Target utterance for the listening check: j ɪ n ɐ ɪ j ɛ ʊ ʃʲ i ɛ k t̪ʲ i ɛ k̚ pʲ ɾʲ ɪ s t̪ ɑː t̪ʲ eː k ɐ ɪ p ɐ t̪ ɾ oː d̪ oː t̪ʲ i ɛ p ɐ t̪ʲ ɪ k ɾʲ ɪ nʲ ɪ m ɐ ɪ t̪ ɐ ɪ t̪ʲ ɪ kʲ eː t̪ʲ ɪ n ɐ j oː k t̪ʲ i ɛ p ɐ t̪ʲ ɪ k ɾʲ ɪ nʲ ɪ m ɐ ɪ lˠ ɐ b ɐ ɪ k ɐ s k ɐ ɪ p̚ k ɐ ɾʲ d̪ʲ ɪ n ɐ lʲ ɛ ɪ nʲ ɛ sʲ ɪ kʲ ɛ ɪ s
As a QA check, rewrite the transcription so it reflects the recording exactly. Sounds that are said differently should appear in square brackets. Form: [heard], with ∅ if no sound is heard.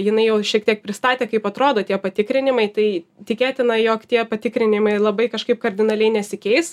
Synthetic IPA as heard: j ɪ n ɐ ɪ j ɛ ʊ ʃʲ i ɛ k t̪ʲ i ɛ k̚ pʲ ɾʲ ɪ s t̪ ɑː t̪ʲ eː k ɐ ɪ p ɐ t̪ ɾ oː d̪ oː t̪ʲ i ɛ p ɐ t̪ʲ ɪ k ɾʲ ɪ nʲ ɪ m ɐ ɪ t̪ ɐ ɪ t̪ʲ ɪ kʲ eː t̪ʲ ɪ n ɐ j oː k t̪ʲ i ɛ p ɐ t̪ʲ ɪ k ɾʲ ɪ nʲ ɪ m ɐ ɪ lˠ ɐ b ɐ ɪ k ɐ [ʃ] k ɐ ɪ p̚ k ɐ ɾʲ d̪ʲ ɪ n ɐ lʲ ɛ ɪ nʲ ɛ sʲ ɪ kʲ ɛ ɪ s